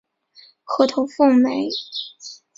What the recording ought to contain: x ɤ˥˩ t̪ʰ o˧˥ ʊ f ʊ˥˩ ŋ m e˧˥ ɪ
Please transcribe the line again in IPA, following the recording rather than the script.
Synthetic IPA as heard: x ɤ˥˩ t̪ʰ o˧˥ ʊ f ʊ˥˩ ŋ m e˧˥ ɪ